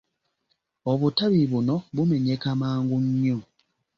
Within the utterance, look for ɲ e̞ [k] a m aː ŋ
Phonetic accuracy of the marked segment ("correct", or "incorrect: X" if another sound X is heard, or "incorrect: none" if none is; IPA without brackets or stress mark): correct